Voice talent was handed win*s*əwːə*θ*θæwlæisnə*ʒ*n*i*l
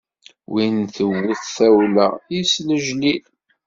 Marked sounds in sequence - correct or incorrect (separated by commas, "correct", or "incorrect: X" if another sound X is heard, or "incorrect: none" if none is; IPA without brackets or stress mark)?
incorrect: θ, correct, correct, correct